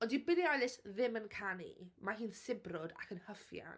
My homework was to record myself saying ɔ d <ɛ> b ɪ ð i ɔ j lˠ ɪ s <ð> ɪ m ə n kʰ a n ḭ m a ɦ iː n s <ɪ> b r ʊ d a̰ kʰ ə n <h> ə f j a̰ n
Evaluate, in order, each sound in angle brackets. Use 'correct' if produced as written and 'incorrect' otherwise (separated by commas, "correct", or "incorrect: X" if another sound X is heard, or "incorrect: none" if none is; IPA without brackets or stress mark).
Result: incorrect: i, correct, correct, correct